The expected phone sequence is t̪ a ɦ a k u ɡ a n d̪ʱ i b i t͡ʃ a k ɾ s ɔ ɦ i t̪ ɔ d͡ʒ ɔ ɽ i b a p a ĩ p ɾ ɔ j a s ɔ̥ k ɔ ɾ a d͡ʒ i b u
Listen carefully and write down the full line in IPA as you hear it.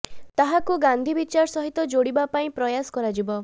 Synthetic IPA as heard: t̪ a ɦ a k u ɡ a n d̪ʱ i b i t͡ʃ a ɾ s ɔ ɦ i t̪ ɔ d͡ʒ o ɽ i b a p a ĩ p ɾ ɔ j a s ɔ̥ k ɔ ɾ a d͡ʒ i b ɔ